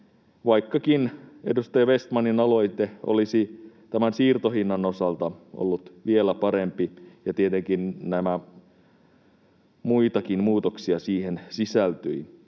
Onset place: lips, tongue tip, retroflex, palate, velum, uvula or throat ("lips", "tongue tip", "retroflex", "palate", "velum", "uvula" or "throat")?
lips